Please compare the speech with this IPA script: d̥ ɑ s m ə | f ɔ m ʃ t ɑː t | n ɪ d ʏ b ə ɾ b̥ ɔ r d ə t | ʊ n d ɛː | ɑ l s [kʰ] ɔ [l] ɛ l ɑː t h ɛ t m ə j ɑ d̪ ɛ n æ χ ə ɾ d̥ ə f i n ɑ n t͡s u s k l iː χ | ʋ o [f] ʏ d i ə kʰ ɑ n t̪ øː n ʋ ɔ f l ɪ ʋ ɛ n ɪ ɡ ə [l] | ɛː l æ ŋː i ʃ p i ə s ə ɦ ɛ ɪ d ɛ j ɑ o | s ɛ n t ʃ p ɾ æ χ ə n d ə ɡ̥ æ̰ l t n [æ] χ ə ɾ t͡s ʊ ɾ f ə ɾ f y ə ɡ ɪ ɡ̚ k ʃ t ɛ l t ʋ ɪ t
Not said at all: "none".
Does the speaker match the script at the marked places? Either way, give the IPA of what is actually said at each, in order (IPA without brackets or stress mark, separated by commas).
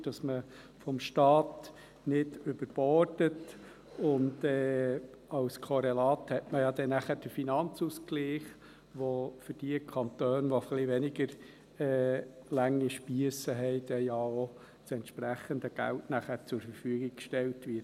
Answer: kʰ, ɾ, f, ɾ, æ